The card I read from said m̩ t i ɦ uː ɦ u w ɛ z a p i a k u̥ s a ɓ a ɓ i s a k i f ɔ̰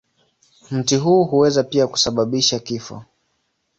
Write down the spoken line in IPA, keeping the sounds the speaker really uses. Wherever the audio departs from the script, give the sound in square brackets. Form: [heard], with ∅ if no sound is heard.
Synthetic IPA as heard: m̩ t i ɦ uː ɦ u w ɛ z a p i a k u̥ s a ɓ a ɓ i [ʃ] a k i f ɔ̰